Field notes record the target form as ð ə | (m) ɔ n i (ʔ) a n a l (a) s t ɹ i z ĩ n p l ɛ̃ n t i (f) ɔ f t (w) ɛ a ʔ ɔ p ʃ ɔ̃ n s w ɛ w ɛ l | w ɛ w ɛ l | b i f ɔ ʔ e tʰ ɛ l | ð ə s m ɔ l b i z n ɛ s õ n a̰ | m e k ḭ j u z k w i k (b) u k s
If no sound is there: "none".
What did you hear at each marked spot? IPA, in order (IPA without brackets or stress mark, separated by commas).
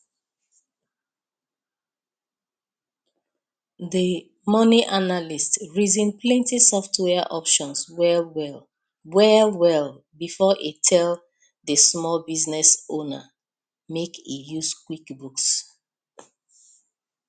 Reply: m, ʔ, i, s, w, b